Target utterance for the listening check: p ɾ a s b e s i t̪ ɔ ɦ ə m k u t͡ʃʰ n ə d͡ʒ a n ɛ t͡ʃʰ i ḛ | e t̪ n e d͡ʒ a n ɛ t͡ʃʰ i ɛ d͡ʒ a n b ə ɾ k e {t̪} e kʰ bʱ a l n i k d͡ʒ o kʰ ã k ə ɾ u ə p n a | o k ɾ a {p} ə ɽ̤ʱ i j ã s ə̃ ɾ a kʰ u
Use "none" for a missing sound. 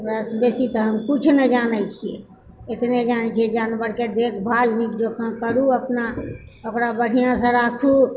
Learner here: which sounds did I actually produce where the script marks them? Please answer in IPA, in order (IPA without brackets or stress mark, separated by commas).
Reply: d̪, b